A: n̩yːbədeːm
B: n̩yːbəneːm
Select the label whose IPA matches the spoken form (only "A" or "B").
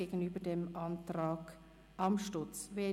A